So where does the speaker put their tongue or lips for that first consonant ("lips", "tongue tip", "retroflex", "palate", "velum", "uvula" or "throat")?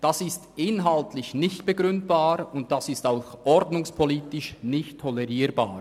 tongue tip